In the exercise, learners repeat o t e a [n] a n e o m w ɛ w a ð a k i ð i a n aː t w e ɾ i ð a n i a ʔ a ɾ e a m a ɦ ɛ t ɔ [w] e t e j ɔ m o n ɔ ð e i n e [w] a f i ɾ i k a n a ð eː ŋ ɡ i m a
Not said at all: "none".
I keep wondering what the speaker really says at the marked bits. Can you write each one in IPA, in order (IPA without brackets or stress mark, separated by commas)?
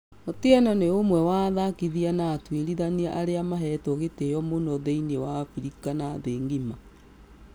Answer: n, ɣ, w